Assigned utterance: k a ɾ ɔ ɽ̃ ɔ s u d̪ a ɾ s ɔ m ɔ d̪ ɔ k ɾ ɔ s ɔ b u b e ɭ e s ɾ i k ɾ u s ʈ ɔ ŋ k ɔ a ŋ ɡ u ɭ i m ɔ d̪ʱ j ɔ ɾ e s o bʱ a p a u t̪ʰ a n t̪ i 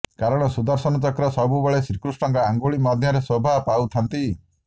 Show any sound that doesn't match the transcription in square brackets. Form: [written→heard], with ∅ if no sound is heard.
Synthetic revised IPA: k a ɾ ɔ ɽ̃ ɔ s u d̪ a ɾ s ɔ [m→n] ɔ [d̪→t̪] ɔ k ɾ ɔ s ɔ b u b e ɭ e s ɾ i k ɾ u s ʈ ɔ ŋ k ɔ a ŋ ɡ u ɭ i m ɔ d̪ʱ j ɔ ɾ e s o bʱ a p a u t̪ʰ a n t̪ i